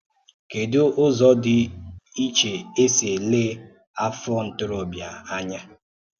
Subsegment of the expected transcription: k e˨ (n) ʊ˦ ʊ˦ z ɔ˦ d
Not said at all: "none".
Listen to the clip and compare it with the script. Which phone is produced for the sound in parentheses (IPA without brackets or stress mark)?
d